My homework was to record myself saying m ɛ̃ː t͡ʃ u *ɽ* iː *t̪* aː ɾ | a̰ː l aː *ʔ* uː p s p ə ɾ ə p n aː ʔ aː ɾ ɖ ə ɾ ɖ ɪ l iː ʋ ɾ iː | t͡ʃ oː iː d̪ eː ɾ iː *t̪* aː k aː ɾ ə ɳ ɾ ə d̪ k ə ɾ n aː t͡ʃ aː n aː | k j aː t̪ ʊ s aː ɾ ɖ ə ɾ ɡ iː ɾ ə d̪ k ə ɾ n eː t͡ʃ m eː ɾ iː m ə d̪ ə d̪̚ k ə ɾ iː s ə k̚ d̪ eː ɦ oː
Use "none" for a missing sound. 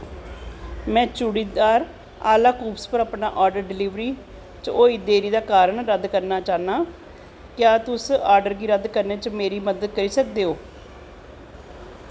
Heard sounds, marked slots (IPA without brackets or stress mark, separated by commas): ɽ, d̪, k, d̪